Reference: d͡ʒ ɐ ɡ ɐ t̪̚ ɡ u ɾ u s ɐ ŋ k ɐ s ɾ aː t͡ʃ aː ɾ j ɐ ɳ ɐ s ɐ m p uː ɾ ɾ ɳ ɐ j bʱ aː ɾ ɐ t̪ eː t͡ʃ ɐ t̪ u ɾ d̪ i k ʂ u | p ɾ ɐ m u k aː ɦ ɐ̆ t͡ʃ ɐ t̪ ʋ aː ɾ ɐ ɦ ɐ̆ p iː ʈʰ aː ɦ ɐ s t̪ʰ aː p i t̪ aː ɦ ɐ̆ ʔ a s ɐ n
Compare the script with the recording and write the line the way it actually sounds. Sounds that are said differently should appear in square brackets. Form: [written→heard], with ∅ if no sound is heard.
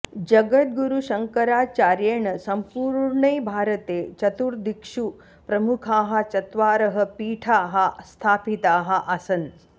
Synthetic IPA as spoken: d͡ʒ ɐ ɡ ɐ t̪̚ ɡ u ɾ u [s→ʃ] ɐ ŋ k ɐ [s→∅] ɾ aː t͡ʃ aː ɾ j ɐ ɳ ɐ s ɐ m p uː ɾ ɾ ɳ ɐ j bʱ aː ɾ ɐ t̪ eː t͡ʃ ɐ t̪ u ɾ d̪ i k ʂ u | p ɾ ɐ m u [k→kʰ] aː ɦ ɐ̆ t͡ʃ ɐ t̪ ʋ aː ɾ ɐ ɦ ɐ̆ p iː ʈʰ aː ɦ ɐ s t̪ʰ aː p i t̪ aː ɦ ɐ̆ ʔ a s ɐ n